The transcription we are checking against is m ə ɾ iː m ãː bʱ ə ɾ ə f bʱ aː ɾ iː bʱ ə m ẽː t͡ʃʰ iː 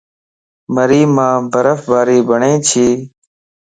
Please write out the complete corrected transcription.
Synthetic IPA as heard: m ə ɾ iː m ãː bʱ ə ɾ ə f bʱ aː ɾ iː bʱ ə ɳ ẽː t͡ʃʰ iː